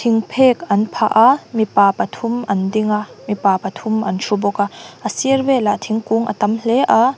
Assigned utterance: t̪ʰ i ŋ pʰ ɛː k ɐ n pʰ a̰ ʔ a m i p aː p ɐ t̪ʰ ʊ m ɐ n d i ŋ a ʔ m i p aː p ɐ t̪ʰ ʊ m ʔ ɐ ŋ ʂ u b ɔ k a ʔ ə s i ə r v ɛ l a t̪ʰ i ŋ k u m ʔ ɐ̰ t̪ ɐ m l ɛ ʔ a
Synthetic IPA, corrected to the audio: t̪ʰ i ŋ pʰ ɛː k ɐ n pʰ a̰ ʔ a m i p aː p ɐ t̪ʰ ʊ m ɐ n d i ŋ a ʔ m i p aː p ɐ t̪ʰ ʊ m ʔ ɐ n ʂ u b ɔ k a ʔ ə s i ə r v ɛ l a t̪ʰ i ŋ k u ŋ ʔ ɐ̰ t̪ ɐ m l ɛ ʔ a